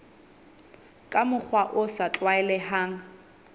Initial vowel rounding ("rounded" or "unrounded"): unrounded